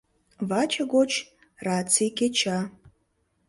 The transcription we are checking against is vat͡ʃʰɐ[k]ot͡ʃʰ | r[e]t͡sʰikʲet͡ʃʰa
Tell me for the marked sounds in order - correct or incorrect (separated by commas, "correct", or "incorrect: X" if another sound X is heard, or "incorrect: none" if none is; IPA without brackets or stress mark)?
incorrect: ɡ, incorrect: a